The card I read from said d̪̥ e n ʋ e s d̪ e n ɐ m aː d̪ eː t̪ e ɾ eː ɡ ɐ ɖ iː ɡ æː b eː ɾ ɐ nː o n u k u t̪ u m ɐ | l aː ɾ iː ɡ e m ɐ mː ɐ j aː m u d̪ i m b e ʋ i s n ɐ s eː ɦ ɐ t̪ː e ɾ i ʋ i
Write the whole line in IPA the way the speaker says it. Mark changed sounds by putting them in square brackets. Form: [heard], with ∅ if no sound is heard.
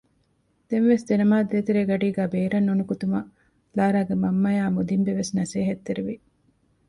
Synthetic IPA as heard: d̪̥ e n ʋ e s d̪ e n ɐ m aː d̪ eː t̪ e ɾ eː ɡ ɐ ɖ iː ɡ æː b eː ɾ ɐ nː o n u k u t̪ u m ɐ | l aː ɾ [aː] ɡ e m ɐ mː ɐ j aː m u d̪ i m b e ʋ [e] s n ɐ s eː ɦ ɐ t̪ː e ɾ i ʋ i